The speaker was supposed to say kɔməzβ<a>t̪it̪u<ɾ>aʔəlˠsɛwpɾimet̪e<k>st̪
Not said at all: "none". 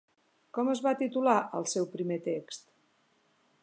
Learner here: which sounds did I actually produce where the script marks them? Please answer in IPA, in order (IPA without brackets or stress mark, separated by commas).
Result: a, l, k